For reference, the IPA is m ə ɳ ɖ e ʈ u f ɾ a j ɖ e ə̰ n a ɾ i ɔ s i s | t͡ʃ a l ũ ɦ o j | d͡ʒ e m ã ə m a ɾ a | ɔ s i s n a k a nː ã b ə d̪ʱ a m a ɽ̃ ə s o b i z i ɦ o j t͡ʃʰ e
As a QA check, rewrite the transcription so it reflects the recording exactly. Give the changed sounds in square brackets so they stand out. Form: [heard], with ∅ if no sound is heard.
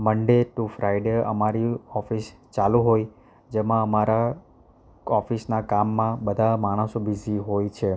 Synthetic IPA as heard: m ə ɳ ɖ e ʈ u f ɾ a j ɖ e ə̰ [m] a ɾ i ɔ [f] i s | t͡ʃ a l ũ ɦ o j | d͡ʒ e m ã ə m a ɾ a | ɔ [f] i s n a k a [mː] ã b ə d̪ʱ a m a ɽ̃ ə s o b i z i ɦ o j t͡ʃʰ e